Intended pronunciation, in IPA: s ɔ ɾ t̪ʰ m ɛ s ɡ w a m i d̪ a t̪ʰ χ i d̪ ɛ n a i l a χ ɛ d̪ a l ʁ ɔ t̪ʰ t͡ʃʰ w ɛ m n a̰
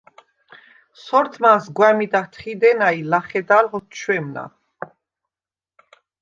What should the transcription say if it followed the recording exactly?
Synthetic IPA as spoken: s ɔ ɾ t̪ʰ m a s ɡ w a m i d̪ a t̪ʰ χ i d̪ ɛ n a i l a χ ɛ d̪ a l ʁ ɔ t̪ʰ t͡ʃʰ w ɛ m n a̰